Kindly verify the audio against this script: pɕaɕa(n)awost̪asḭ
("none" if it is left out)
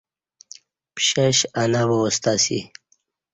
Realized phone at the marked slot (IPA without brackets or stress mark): n